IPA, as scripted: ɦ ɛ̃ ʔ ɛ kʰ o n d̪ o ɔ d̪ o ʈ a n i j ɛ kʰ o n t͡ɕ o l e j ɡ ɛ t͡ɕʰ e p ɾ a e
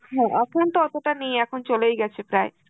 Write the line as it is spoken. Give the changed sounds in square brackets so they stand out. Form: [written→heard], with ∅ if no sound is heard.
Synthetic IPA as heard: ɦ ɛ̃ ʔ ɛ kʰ o n [d̪→t̪] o ɔ [d̪→t̪] o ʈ a n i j ɛ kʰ o n t͡ɕ o l e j ɡ ɛ t͡ɕʰ e p ɾ a e